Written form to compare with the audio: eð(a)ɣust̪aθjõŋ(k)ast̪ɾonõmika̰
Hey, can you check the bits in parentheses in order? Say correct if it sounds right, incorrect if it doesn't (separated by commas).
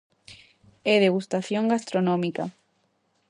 incorrect, incorrect